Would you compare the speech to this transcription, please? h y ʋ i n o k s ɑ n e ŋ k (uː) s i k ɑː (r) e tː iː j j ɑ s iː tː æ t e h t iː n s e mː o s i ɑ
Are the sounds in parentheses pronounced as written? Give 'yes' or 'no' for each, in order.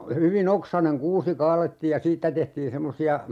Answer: yes, no

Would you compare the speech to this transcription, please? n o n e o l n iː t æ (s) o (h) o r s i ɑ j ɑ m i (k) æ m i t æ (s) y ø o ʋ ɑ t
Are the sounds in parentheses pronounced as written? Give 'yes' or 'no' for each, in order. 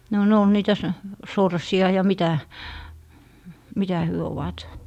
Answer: yes, no, no, no

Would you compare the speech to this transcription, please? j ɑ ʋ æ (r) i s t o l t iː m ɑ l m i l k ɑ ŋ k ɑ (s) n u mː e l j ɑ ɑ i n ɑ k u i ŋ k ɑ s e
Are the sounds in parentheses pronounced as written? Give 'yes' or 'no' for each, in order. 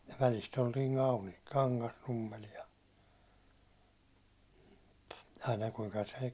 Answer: no, yes

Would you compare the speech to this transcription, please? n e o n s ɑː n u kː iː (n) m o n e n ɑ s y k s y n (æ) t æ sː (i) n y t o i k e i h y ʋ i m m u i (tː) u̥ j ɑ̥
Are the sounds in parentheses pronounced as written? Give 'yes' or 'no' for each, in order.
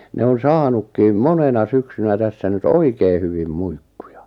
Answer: no, yes, no, no

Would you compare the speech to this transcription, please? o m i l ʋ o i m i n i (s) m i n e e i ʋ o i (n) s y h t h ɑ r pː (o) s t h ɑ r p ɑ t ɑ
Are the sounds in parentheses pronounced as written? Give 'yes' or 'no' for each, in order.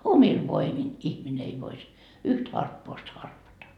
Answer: no, no, no

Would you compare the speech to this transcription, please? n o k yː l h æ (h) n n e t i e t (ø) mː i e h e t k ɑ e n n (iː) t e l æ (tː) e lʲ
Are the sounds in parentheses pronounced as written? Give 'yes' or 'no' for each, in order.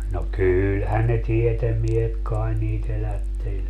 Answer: no, no, yes, yes

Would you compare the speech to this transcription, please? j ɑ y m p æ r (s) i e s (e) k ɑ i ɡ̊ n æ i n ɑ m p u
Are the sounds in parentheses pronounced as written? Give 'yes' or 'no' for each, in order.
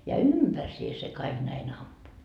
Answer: yes, yes

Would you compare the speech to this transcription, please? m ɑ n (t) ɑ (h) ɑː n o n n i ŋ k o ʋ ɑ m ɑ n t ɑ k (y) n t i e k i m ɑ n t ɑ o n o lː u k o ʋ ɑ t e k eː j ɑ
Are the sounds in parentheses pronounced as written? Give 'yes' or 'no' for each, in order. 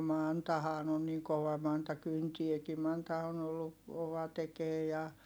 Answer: yes, yes, yes

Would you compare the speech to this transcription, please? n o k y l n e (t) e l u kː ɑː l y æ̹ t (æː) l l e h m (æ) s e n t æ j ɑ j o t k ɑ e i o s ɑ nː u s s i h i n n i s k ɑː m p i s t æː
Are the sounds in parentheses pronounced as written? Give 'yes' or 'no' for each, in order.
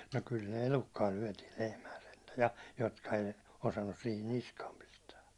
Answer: no, no, no

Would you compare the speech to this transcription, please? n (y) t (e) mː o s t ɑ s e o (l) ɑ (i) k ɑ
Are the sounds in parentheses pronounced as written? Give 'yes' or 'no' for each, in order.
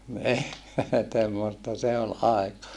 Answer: no, yes, yes, no

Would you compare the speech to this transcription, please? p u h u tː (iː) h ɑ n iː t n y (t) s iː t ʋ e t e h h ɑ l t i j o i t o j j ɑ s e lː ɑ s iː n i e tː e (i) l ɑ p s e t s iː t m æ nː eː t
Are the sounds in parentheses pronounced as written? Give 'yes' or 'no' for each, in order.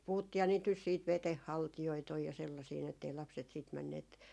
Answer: yes, no, yes

